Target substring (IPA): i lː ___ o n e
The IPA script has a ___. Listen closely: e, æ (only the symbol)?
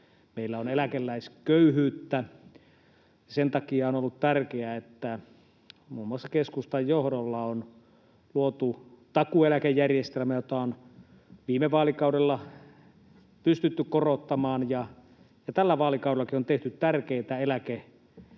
æ